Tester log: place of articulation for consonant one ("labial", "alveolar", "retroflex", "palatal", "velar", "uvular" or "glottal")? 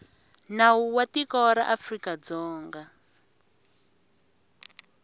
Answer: alveolar